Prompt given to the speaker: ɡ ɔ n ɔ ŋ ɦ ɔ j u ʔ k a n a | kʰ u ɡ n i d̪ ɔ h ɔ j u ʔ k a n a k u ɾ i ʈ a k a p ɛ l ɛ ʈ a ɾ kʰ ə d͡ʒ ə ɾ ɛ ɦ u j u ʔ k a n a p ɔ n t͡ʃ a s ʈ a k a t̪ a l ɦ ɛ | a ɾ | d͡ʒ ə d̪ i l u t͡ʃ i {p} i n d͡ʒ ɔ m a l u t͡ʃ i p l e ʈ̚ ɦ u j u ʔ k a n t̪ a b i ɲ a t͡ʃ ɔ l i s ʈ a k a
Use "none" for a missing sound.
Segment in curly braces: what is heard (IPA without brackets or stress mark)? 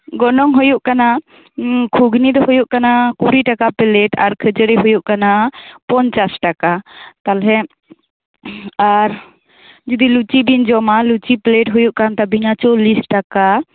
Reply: b